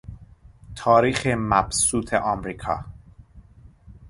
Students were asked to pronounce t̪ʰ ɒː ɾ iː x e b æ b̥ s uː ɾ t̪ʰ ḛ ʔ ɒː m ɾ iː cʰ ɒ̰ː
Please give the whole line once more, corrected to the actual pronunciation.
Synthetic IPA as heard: t̪ʰ ɒː ɾ iː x e m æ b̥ s uː t̪ʰ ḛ ʔ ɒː m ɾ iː kʰ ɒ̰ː